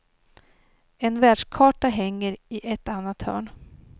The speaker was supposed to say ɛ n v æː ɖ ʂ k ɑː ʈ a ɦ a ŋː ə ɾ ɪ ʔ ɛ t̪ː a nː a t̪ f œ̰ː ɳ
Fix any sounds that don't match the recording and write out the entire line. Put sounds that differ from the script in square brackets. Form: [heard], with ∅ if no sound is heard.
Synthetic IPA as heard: ɛ n v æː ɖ ʂ [kʰ] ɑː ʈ a ɦ [ɛ] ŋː ə ɾ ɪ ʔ ɛ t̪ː a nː a t̪ [h] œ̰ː ɳ